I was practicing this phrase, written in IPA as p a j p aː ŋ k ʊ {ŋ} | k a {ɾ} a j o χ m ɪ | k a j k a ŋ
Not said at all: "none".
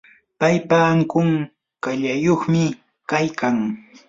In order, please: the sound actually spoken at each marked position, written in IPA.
ŋ, ʎ

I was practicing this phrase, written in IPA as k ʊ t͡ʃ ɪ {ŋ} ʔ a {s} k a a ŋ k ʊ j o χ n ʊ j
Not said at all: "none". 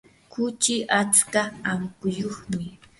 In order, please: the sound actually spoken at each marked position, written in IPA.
none, t͡s

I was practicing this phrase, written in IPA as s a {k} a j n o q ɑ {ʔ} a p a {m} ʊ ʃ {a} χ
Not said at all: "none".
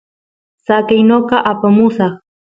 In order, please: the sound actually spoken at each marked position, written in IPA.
k, ʔ, m, ɑ

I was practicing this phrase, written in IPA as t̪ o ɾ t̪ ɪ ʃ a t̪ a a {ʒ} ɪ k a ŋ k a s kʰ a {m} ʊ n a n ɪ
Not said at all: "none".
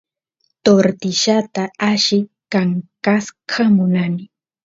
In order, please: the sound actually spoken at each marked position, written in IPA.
ʃ, m

